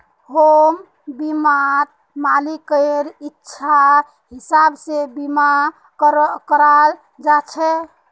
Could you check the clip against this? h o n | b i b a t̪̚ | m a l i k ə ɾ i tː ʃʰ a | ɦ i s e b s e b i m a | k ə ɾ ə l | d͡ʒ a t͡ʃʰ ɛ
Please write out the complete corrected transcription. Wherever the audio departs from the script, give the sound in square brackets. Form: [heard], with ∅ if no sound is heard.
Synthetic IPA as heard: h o [m] | b i [m] a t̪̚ | m a l i k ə ɾ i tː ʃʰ a | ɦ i s [a] b s e b i m a | k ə ɾ [a] l | d͡ʒ a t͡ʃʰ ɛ